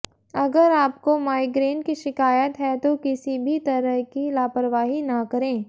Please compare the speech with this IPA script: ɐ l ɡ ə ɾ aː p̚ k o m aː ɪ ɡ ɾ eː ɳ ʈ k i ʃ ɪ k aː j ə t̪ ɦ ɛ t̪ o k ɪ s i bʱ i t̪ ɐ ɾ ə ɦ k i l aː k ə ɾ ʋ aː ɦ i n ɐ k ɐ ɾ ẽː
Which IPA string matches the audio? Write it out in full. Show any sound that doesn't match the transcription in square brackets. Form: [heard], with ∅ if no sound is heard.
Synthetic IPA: ɐ [∅] ɡ ə ɾ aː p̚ k o m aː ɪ ɡ ɾ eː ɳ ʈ k i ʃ ɪ k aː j ə t̪ ɦ ɛ t̪ o k ɪ s i bʱ i t̪ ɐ ɾ ə ɦ k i l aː [p] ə ɾ ʋ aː ɦ i n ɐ k ɐ ɾ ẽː